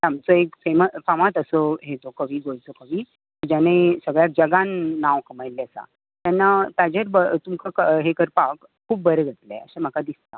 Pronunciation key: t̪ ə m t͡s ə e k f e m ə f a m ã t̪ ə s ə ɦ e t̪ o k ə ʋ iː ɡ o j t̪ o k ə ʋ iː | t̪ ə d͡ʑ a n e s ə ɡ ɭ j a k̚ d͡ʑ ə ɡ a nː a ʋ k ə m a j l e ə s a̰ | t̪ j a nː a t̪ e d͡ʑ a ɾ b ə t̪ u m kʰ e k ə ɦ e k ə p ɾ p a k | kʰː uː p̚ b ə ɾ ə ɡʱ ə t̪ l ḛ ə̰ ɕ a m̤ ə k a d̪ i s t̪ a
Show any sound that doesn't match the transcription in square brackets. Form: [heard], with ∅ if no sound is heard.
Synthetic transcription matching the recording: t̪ [a] m t͡s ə e k f e m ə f a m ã t̪ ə s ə ɦ e t̪ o k ə ʋ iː ɡ o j t̪ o k ə ʋ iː | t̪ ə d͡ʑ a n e s ə ɡ ɭ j a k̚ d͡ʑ ə ɡ a nː a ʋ k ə m a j l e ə s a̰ | t̪ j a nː a t̪ [a] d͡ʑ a ɾ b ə t̪ u m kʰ [a] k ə ɦ e k ə [∅] ɾ p a k | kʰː uː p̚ b ə ɾ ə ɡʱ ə t̪ l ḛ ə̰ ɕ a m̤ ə k a d̪ i s t̪ a